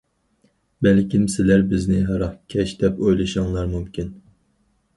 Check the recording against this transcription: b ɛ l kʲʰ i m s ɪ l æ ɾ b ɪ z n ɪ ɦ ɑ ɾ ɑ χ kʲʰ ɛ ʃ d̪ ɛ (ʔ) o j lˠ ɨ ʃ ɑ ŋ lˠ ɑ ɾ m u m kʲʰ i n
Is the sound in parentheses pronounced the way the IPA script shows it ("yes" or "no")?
no